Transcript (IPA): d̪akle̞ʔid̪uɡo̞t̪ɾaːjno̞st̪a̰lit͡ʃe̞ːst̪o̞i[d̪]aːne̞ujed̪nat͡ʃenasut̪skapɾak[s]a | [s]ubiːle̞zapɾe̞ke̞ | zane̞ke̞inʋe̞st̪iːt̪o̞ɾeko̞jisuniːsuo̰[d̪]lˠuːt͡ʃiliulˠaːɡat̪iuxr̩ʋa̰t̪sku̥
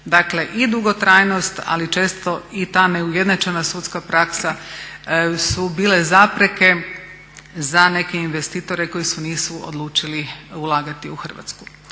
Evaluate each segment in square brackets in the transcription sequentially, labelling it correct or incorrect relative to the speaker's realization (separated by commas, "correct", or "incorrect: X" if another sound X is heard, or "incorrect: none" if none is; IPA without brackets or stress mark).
incorrect: t̪, correct, correct, correct